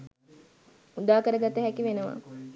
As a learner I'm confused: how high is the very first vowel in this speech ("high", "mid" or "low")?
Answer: high